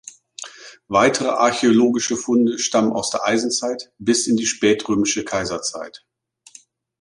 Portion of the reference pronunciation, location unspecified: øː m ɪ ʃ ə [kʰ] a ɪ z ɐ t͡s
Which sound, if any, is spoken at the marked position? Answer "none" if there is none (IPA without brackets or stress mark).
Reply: kʰ